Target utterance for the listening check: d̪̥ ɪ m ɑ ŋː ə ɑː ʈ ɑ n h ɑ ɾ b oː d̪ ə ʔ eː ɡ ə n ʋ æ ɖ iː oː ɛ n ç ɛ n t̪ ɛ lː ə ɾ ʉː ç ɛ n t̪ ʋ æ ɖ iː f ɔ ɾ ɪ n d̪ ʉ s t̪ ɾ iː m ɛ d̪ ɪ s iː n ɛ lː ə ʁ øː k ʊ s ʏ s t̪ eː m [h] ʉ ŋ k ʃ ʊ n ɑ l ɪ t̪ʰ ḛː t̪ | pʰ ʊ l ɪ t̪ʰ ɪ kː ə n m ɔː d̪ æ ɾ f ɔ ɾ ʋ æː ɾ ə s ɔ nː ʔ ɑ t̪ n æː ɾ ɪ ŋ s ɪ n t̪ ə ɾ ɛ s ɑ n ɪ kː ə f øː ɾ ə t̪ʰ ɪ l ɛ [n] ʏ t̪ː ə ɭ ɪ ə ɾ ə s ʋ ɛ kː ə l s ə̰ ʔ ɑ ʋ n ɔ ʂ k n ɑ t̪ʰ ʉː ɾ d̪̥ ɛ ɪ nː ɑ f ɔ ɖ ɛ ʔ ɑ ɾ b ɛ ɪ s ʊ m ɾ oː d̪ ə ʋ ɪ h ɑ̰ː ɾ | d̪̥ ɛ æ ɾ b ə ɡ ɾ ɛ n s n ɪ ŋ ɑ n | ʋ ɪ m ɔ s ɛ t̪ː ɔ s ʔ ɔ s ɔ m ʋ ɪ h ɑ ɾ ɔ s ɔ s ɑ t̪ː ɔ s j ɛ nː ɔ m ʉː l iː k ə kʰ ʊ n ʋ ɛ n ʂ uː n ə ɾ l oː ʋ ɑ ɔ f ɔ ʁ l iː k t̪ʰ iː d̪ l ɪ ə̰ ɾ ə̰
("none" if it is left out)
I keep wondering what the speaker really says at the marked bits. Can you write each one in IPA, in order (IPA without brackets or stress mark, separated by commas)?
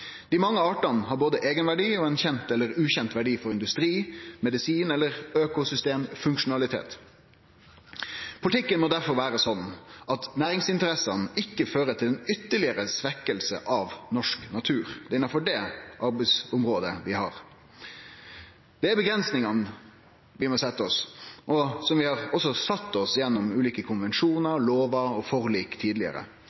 f, n